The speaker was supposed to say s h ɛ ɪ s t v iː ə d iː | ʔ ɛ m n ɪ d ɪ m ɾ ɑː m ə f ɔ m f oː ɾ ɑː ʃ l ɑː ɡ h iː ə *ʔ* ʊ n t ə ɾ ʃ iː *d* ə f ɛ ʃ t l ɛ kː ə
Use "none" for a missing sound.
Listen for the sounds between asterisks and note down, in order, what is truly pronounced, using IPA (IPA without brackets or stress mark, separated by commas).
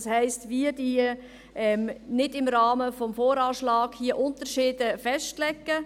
ʔ, d